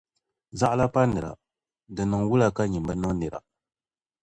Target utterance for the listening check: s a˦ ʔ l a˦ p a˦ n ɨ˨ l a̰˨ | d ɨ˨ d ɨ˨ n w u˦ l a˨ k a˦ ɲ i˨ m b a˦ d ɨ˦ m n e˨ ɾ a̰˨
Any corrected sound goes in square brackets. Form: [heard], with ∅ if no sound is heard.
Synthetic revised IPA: [z] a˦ ʔ l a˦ p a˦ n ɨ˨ [ɾ] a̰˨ | d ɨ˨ [n] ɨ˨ [ŋ] w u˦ l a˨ k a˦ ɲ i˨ m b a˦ [n] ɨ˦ [ŋ] n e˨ ɾ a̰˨